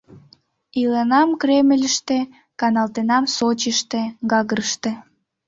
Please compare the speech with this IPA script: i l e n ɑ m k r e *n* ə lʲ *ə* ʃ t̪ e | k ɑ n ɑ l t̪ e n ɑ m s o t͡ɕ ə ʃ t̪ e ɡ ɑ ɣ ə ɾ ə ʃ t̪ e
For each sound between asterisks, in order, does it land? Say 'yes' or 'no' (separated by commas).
no, yes